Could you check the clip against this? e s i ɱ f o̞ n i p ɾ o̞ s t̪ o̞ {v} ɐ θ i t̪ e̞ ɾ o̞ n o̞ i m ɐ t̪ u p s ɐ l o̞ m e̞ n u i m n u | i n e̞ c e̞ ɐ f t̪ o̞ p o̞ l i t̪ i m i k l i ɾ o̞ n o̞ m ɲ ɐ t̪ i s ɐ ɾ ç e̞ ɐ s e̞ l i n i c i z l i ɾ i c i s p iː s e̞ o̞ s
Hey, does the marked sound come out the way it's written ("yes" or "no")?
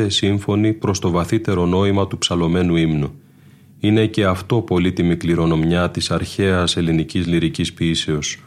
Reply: yes